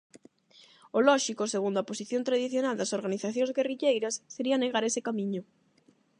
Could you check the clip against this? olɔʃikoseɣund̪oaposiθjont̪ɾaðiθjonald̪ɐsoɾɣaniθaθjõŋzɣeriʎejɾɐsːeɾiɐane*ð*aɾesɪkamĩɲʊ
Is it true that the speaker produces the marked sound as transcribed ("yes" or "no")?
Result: no